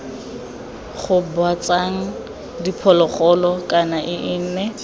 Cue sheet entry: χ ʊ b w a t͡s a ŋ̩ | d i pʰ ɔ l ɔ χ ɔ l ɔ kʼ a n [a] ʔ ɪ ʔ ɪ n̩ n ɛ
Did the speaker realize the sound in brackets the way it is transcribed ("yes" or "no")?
yes